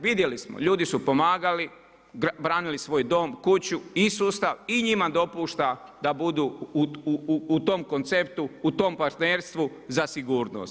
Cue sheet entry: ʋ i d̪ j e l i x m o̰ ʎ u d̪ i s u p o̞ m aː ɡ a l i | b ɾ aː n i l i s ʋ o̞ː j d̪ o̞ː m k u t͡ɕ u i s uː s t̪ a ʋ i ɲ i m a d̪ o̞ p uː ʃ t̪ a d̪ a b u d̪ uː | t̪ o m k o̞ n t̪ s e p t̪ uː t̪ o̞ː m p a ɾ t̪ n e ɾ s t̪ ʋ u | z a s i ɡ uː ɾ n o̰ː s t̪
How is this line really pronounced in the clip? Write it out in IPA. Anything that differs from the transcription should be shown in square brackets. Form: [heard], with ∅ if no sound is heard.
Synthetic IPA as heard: ʋ i d̪ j e l i [s] m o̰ ʎ [uː] d̪ i s u p o̞ m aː ɡ a l i | b ɾ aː n i l i s ʋ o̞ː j d̪ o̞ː m k u t͡ɕ u i s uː s t̪ a ʋ i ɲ i m a d̪ o̞ p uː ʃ t̪ a d̪ a b u d̪ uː | t̪ o m k o̞ n t̪ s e p t̪ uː t̪ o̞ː m p a ɾ t̪ n e ɾ s t̪ ʋ u | z a s i ɡ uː ɾ n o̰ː s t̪